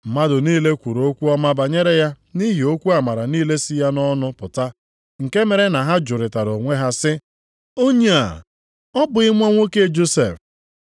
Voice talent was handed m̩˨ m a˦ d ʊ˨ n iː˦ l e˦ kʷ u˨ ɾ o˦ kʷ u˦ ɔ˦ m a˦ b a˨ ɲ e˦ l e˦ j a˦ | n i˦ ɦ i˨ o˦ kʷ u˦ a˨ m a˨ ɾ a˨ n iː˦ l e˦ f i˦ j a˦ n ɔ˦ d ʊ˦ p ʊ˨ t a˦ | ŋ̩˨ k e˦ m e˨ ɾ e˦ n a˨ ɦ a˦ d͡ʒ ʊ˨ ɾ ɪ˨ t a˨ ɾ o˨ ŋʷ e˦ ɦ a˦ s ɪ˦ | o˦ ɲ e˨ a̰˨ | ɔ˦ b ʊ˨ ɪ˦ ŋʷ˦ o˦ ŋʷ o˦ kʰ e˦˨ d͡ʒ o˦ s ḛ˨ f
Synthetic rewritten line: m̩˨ m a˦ d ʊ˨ n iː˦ l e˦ kʷ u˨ ɾ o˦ kʷ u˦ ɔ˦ m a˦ b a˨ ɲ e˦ ɾ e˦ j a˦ | n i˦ ɦ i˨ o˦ kʷ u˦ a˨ m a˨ ɾ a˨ n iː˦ l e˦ s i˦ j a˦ n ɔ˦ n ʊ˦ p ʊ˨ t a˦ | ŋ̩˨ k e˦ m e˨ ɾ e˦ n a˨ ɦ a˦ d͡ʒ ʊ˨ ɾ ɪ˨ t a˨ ɾ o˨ ŋʷ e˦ ɦ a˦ s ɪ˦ | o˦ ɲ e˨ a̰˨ | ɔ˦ b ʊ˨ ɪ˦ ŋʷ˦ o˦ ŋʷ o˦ k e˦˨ d͡ʒ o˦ s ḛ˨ f